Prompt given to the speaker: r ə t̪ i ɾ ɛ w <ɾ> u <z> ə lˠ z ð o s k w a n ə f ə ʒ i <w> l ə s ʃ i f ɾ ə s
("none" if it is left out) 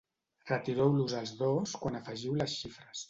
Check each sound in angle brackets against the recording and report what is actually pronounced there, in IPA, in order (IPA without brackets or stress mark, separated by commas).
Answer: l, z, w